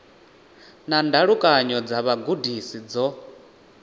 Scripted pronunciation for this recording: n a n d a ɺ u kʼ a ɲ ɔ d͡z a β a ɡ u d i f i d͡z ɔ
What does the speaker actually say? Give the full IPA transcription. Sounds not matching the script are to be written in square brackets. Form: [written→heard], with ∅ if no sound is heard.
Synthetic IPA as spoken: n a n d a ɺ u kʼ a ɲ ɔ d͡z a β a ɡ u d i [f→s] i d͡z ɔ